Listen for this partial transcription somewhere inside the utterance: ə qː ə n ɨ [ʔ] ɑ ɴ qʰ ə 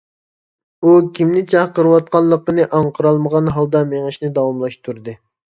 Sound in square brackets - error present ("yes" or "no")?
no